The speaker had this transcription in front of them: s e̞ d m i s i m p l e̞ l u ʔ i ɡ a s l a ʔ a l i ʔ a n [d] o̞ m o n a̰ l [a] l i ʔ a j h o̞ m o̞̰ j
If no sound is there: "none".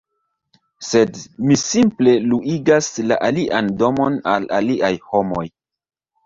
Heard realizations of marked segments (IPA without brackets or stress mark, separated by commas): d, a